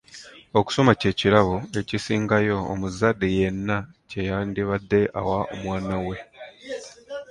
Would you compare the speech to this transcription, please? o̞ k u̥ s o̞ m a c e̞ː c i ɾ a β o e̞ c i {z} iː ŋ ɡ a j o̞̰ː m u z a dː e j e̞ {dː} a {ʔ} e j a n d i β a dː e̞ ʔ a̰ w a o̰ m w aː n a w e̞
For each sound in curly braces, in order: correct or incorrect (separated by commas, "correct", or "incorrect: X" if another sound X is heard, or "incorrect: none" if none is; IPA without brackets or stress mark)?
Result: incorrect: s, incorrect: nː, incorrect: c